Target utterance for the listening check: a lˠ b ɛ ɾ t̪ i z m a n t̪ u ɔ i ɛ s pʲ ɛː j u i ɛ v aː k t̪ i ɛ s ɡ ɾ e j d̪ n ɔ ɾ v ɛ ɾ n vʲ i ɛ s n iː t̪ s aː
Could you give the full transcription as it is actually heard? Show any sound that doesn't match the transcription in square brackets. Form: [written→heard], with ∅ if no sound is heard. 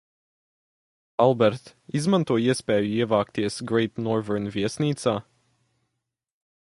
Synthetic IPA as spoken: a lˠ b ɛ ɾ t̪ i z m a n t̪ u ɔ i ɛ s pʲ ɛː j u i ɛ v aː k t̪ i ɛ s ɡ ɾ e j [d̪→t̪] n ɔ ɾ v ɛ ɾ n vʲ i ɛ s n iː t̪ s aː